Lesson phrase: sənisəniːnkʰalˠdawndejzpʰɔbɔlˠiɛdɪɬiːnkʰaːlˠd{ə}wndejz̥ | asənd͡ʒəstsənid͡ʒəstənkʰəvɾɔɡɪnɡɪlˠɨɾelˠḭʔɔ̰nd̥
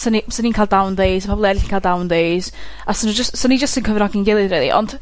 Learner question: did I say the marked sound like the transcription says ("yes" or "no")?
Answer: no